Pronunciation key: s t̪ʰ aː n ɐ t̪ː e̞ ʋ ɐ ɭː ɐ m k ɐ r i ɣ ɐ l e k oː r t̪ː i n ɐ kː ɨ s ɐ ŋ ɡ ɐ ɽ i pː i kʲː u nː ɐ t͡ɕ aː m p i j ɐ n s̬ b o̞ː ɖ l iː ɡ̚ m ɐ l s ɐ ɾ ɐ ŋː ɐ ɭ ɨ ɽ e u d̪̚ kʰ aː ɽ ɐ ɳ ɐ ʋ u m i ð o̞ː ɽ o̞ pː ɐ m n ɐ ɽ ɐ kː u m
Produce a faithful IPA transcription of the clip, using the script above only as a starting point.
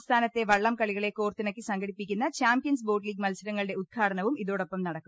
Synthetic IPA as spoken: s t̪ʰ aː n ɐ t̪ː e̞ ʋ ɐ ɭː ɐ m k ɐ ɭ i ɣ ɐ ɭ e k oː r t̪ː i n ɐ kː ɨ s ɐ ŋ ɡ ɐ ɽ i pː i kʲː u nː ɐ t͡ɕ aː m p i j ɐ n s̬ b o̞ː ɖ l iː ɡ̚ m ɐ l s ɐ ɾ ɐ ŋː ɐ ɭ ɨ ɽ e u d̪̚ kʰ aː ɽ ɐ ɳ ɐ ʋ u m i ð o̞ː ɽ o̞ pː ɐ m n ɐ ɽ ɐ kː u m